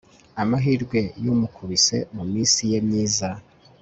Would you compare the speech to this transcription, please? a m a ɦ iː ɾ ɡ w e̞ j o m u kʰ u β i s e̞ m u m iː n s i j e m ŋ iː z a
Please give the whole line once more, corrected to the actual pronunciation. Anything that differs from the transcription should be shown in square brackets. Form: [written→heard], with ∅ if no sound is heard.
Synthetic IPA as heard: a m a ɦ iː ɾ ɡ w e̞ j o m u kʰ u β i s e̞ m u m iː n s i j e m [ŋ→ɲ] iː z a